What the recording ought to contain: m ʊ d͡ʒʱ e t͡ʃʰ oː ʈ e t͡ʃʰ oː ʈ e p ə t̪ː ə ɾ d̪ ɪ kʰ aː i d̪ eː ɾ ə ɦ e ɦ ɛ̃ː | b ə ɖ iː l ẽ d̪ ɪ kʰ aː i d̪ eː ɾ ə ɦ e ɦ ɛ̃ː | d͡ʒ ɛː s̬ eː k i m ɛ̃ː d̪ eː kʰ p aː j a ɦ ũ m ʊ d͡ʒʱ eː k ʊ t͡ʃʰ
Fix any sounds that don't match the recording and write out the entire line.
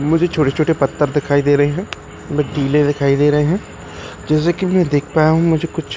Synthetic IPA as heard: m ʊ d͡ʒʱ e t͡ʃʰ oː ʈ e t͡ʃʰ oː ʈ e p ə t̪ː ə ɾ d̪ ɪ kʰ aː i d̪ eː ɾ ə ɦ e ɦ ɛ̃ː | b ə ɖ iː l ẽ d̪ ɪ kʰ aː i d̪ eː ɾ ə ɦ e ɦ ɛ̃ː | d͡ʒ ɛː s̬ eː k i m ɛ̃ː d̪ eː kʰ p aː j a ɦ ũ m ʊ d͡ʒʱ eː k ʊ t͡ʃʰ